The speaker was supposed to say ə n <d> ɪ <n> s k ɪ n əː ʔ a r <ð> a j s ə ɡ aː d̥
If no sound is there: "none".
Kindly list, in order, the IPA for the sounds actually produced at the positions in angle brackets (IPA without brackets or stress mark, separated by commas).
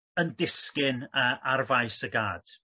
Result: d, none, v